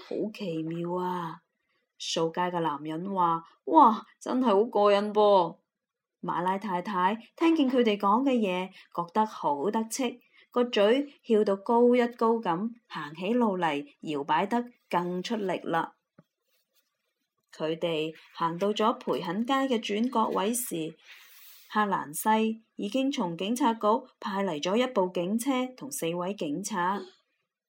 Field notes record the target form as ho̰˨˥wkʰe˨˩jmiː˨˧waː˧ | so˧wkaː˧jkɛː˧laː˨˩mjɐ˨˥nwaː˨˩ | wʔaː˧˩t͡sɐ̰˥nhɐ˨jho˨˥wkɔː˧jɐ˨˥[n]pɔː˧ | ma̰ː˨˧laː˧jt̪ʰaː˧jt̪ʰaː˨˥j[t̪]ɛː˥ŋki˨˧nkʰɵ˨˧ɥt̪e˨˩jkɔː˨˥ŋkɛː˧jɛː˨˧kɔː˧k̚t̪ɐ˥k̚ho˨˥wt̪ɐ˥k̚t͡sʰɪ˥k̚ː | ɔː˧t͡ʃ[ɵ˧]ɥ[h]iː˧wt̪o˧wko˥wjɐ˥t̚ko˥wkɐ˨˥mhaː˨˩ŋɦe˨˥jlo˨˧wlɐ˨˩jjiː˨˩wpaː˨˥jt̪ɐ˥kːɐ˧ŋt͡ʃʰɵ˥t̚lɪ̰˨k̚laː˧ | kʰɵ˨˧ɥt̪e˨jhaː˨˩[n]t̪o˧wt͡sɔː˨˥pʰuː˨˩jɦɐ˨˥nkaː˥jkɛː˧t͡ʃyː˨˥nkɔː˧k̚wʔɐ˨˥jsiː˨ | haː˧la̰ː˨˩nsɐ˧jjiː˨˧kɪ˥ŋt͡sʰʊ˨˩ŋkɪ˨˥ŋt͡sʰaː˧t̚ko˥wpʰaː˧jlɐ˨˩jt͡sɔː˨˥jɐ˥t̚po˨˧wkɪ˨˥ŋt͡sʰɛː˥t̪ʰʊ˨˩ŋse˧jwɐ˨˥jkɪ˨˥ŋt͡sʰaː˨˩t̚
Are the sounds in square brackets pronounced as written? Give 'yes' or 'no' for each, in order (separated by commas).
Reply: yes, no, no, yes, no